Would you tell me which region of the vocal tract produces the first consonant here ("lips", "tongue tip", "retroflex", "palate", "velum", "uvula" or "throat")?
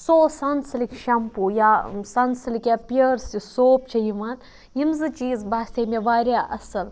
tongue tip